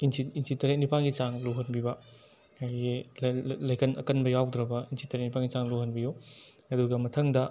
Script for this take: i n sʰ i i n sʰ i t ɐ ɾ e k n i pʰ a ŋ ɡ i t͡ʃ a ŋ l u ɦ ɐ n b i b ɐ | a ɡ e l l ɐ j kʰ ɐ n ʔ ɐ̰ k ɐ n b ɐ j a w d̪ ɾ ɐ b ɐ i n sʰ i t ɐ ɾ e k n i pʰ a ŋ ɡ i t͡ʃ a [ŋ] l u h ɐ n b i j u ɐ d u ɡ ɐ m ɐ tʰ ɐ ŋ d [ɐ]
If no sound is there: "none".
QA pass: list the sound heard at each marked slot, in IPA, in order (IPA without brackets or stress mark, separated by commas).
ŋ, ɐ